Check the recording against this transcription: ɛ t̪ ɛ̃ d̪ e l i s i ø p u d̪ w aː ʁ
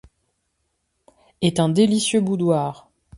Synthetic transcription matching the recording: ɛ t̪ ɛ̃ d̪ e l i s j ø b u d̪ w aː ʁ